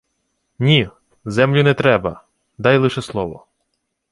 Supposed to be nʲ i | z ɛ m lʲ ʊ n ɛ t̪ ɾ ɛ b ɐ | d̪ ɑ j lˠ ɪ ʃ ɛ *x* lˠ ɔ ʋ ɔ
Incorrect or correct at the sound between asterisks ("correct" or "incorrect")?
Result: incorrect